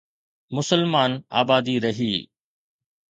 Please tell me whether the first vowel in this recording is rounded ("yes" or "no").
yes